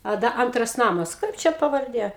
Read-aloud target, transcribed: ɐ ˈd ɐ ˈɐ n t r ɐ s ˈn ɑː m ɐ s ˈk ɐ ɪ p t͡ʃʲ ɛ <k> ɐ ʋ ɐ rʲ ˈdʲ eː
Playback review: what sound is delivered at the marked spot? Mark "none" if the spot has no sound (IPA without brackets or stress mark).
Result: p